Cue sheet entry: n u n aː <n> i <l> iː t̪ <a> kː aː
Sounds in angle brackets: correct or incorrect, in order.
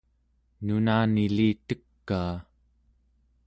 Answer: correct, correct, incorrect

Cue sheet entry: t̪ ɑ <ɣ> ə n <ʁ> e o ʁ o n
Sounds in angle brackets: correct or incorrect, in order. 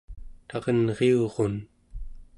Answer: incorrect, correct

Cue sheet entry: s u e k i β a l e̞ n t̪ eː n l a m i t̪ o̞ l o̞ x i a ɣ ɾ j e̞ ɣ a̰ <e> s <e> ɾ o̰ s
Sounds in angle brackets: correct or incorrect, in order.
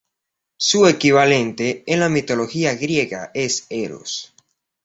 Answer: correct, correct

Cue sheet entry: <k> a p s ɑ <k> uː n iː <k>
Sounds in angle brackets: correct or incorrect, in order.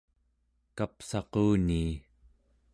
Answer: correct, incorrect, incorrect

